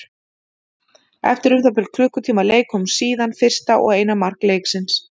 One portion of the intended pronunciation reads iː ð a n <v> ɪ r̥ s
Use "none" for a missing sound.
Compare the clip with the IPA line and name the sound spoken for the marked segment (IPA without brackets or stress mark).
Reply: f